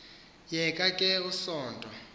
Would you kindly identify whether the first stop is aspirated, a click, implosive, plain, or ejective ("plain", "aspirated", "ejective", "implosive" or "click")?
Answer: ejective